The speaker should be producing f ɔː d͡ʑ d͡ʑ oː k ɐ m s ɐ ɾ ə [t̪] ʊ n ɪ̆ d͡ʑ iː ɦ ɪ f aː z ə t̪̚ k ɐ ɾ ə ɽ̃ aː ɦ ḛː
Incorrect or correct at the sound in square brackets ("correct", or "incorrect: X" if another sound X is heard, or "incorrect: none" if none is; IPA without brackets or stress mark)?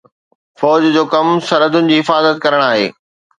incorrect: d̪